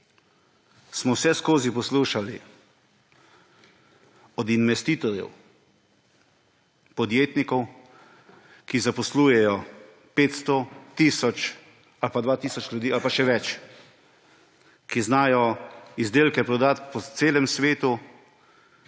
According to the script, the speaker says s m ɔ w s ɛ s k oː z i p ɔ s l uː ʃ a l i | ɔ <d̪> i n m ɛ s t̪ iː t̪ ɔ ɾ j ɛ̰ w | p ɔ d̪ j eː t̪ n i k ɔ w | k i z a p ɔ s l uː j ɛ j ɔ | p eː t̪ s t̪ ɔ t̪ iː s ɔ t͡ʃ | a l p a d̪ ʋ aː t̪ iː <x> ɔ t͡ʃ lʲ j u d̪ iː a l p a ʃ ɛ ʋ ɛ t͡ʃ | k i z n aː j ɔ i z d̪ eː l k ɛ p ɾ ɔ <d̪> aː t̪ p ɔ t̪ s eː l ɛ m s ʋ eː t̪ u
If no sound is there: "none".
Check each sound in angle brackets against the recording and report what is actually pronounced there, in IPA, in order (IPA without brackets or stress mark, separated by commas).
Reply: d̪, s, d̪